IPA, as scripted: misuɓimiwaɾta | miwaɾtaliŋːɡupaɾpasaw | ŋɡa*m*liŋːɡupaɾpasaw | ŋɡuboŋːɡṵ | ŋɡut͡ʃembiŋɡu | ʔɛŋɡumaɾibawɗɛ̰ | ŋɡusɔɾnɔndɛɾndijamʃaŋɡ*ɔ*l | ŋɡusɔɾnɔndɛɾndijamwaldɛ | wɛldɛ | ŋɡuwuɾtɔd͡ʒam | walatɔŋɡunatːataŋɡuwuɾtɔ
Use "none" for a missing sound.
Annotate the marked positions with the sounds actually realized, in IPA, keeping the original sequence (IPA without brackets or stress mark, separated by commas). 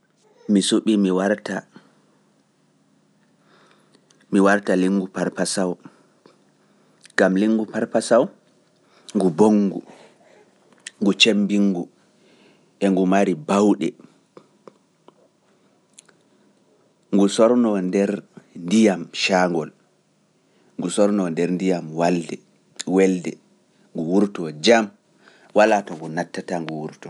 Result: m, ɔ